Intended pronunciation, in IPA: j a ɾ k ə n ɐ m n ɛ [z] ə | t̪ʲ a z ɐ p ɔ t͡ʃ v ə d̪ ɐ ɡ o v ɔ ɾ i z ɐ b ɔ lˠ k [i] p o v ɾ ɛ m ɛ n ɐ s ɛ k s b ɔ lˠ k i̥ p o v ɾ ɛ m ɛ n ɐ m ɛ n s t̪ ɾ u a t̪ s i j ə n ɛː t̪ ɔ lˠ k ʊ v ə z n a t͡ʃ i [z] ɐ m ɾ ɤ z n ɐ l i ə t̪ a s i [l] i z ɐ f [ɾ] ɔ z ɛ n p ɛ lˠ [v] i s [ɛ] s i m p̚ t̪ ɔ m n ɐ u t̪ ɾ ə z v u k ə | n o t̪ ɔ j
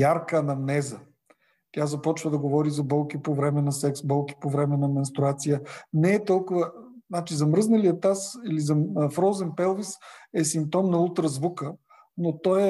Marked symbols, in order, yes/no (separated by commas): yes, yes, yes, yes, yes, yes, yes